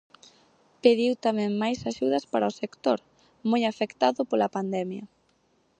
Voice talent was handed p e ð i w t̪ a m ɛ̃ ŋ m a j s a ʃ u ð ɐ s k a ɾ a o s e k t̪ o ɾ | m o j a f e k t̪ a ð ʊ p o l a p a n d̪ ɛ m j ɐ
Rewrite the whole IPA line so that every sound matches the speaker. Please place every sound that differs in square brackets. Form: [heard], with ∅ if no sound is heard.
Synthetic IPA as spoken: p e ð i w t̪ a m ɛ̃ ŋ m a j s a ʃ u ð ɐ s [p] a ɾ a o s e k t̪ o ɾ | m o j a f e k t̪ a ð ʊ p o l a p a n d̪ ɛ m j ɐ